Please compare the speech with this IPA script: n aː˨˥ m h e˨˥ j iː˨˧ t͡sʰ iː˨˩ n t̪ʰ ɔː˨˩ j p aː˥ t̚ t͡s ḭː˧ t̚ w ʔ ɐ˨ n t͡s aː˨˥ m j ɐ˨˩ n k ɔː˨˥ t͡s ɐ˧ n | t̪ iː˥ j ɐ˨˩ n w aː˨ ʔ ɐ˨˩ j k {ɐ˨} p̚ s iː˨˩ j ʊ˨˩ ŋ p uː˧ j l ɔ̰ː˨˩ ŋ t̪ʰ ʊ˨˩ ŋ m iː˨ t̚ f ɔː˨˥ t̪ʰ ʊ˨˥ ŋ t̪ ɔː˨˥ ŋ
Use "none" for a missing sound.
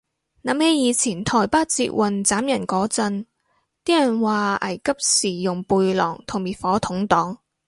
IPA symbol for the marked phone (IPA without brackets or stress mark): ɐ˥